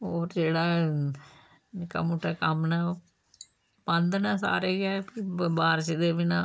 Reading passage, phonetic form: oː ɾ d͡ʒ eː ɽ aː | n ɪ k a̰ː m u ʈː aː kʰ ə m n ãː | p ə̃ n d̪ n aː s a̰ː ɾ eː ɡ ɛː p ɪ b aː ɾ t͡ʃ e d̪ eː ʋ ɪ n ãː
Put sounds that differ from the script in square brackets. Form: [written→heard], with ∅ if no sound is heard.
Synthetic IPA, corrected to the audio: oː ɾ d͡ʒ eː ɽ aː | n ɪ k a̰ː m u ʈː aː [kʰ→k] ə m n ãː | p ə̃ n d̪ n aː s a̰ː ɾ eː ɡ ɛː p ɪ b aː ɾ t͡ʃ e d̪ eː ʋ ɪ n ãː